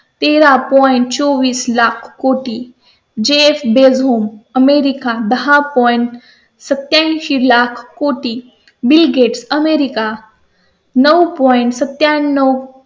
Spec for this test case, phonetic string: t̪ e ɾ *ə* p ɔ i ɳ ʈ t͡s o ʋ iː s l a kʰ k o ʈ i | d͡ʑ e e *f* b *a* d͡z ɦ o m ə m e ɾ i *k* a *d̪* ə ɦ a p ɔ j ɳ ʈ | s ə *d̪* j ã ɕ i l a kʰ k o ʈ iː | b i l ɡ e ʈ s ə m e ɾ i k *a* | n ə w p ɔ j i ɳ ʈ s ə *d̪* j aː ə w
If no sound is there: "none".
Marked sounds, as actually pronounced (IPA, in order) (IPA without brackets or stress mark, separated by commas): a, f, e, k, d̪, t̪, a, t̪